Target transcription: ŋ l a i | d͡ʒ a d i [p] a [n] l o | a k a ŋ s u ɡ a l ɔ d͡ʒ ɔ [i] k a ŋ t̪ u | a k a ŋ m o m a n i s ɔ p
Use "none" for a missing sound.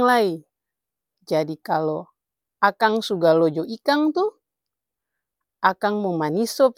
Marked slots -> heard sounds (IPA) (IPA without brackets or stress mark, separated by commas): k, none, i